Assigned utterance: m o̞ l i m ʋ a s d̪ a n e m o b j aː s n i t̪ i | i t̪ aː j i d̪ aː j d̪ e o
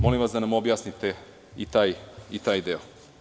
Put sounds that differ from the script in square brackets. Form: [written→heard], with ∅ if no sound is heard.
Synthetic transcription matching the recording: m o̞ l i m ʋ a s d̪ a n [e→a] m o b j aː s n i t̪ [i→e] | i t̪ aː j i [d̪→t̪] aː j d̪ e o